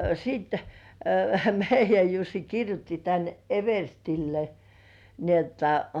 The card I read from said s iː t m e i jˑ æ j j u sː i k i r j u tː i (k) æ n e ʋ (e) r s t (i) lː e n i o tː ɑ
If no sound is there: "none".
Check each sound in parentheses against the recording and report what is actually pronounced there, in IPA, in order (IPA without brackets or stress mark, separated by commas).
t, e, i